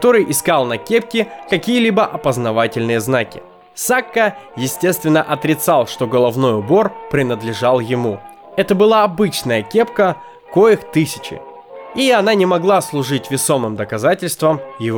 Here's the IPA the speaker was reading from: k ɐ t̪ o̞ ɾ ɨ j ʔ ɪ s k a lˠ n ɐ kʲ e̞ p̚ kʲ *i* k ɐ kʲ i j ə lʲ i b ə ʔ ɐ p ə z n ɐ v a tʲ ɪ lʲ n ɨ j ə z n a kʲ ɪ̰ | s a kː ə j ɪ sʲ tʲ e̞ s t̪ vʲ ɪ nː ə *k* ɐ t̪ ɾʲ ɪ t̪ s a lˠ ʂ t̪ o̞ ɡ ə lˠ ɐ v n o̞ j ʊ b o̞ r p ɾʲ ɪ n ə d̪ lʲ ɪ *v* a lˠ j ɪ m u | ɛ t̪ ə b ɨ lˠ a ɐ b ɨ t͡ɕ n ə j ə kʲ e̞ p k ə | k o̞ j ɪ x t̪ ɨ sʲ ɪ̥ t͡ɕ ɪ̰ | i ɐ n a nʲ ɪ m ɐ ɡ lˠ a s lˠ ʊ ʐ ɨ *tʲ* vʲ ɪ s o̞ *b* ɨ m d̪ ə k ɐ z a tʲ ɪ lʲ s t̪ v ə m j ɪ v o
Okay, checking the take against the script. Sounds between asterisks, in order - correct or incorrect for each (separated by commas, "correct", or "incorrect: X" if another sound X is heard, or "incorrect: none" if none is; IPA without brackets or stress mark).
incorrect: ɪ, incorrect: ʔ, incorrect: ʐ, correct, incorrect: m